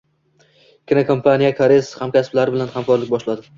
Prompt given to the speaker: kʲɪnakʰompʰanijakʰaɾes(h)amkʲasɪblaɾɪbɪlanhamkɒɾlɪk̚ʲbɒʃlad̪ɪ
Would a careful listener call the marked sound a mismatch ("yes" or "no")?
no